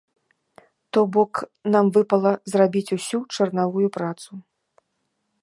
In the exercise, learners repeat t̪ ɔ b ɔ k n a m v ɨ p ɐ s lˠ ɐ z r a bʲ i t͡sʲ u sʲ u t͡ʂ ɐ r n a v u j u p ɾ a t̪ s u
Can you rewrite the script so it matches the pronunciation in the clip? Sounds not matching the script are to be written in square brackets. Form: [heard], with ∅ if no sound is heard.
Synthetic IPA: t̪ ɔ b ɔ k n a m v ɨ p ɐ [∅] lˠ ɐ z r a bʲ i t͡sʲ u sʲ u t͡ʂ ɐ r n a v u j u p ɾ a t̪ s u

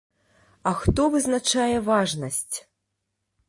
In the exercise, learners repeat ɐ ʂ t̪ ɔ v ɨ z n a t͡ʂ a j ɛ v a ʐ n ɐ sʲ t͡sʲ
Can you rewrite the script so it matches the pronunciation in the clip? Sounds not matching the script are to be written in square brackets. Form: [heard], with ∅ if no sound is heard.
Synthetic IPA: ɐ [x] t̪ ɔ v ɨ z n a t͡ʂ a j ɛ v a ʐ n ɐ sʲ t͡sʲ

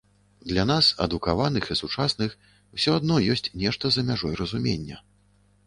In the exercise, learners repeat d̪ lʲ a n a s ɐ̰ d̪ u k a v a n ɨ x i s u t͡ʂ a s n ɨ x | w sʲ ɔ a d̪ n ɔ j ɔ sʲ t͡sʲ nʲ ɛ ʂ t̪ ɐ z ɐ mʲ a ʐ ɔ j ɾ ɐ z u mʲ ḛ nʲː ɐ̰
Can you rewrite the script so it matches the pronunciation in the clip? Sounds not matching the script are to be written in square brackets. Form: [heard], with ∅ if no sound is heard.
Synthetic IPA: d̪ lʲ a n a s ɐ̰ d̪ u k a v a n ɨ x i s u t͡ʂ a s n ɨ x | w sʲ ɔ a d̪ n ɔ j ɔ sʲ t͡sʲ nʲ ɛ ʂ t̪ ɐ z ɐ mʲ a ʐ ɔ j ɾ ɐ z u mʲ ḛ nʲː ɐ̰

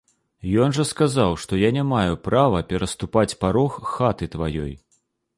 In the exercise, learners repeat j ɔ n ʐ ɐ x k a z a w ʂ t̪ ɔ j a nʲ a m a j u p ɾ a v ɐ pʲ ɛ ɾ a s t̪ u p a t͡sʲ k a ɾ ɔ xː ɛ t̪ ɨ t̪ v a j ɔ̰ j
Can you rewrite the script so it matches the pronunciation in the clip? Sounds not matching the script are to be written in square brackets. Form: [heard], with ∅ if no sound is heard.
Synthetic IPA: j ɔ n ʐ ɐ [s] k a z a w ʂ t̪ ɔ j a nʲ a m a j u p ɾ a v ɐ pʲ ɛ ɾ [ɐ] s t̪ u p a t͡sʲ [p] a ɾ ɔ xː [a] t̪ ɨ t̪ v a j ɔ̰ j

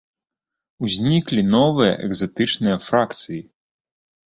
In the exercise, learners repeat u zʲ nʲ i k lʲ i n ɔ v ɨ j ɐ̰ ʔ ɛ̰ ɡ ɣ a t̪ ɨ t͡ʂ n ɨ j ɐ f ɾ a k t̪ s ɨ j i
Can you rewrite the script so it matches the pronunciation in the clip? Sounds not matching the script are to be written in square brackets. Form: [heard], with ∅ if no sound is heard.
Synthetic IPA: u zʲ nʲ i k lʲ i n ɔ v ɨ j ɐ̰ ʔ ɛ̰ ɡ [z] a t̪ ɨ t͡ʂ n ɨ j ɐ f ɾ a k t̪ s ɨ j i

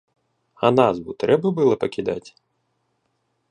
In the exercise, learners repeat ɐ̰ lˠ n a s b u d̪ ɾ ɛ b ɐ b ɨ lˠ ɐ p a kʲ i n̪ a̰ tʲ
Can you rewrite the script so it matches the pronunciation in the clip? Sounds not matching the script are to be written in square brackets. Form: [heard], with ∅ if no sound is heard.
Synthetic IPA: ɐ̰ [∅] n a [z] b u [t̪] ɾ ɛ b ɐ b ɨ lˠ ɐ p [ɐ] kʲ i [d̪] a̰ tʲ

